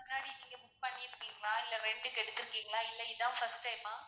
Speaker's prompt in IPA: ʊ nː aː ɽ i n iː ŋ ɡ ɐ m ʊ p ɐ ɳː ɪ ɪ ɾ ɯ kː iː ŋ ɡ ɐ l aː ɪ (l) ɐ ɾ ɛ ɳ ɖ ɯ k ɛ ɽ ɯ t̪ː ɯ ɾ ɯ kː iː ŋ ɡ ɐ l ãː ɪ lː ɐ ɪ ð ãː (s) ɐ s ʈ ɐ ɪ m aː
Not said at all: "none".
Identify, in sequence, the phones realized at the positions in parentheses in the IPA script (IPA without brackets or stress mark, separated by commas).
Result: lː, f